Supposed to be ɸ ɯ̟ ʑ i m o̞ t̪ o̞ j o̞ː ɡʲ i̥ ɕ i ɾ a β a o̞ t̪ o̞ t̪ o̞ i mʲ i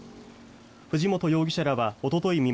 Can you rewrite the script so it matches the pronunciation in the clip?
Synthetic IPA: ɸ ɯ̟ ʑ i m o̞ t̪ o̞ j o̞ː ɡʲ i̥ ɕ a ɾ a β a o̞ t̪ o̞ t̪ o̞ i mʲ i